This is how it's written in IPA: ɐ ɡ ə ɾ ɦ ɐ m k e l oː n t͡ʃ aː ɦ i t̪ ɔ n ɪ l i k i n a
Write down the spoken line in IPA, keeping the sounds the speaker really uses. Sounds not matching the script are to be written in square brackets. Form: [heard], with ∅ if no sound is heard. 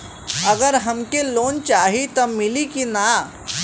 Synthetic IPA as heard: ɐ ɡ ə ɾ ɦ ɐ m k e l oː n t͡ʃ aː ɦ i t̪ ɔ [m] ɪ l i k i n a